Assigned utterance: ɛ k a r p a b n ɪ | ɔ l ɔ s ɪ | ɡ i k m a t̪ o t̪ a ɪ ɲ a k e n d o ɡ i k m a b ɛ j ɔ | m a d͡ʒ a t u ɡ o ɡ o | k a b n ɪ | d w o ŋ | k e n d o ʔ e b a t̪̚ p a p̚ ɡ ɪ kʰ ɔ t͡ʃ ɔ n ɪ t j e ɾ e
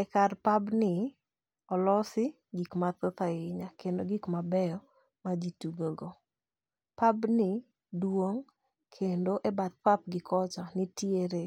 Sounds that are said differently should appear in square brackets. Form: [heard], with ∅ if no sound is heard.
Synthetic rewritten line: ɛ k a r p a b n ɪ | ɔ l ɔ s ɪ | ɡ i k m a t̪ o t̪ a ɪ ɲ a k e n d o ɡ i k m a b ɛ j ɔ | m a d͡ʒ [i] t u ɡ o ɡ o | [p] a b n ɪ | d w o ŋ | [kʰ] e n d o ʔ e b a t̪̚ p a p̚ ɡ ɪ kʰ ɔ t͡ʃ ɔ n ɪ t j e ɾ e